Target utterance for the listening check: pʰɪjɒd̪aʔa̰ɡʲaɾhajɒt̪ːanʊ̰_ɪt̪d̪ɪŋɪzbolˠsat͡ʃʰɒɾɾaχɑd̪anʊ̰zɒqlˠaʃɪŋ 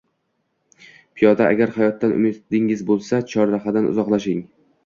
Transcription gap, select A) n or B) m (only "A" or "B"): B